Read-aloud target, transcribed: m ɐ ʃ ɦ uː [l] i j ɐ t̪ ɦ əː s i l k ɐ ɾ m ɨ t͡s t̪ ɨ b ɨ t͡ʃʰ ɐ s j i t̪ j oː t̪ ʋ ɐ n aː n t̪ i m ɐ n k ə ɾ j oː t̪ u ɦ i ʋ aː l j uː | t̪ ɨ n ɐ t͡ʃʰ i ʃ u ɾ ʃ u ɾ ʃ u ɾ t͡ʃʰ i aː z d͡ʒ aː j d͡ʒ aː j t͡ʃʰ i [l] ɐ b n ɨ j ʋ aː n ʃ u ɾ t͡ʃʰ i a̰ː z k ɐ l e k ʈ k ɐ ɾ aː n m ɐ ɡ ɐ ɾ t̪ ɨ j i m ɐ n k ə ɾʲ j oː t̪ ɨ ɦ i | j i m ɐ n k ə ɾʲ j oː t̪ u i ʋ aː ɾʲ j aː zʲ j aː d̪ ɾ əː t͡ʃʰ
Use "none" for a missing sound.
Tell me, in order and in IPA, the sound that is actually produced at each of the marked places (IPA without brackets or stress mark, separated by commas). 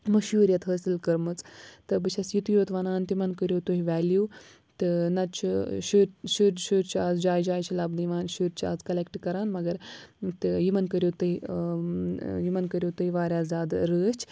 ɾ, l